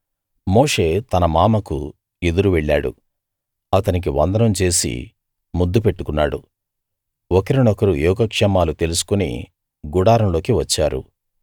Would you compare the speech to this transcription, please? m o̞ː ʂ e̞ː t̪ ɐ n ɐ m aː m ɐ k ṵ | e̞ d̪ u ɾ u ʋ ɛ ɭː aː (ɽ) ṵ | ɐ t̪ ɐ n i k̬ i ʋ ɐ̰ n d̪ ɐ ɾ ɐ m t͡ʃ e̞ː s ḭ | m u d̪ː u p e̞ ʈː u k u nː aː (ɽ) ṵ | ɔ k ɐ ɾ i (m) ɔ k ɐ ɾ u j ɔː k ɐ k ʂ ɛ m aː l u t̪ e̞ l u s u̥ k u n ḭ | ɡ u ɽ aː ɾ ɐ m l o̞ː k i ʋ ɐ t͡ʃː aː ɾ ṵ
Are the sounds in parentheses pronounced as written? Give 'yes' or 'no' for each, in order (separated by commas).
yes, yes, no